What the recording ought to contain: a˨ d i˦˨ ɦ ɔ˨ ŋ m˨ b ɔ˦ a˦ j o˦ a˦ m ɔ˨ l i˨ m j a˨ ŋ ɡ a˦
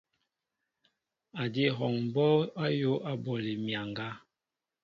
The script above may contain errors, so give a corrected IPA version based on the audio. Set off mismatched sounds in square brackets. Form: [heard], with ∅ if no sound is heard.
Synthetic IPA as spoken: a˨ d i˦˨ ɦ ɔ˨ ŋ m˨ b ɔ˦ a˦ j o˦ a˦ [b] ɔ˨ l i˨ m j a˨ ŋ ɡ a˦